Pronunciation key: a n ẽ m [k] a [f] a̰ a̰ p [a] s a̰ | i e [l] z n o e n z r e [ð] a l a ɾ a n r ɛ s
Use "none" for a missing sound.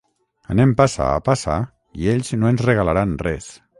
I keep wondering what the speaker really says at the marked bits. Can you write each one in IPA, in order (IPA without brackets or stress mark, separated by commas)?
p, s, a, ʎ, ɣ